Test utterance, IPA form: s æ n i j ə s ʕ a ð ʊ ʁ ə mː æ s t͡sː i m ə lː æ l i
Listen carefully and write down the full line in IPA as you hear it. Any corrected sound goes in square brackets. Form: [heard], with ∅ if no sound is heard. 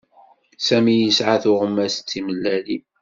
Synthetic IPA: s æ [m] i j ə s ʕ a [θ] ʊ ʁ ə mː æ s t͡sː i m ə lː æ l i